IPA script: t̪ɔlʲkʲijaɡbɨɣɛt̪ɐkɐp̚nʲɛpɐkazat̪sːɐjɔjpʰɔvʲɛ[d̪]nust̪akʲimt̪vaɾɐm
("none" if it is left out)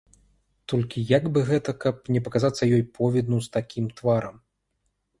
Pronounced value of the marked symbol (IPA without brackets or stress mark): d̪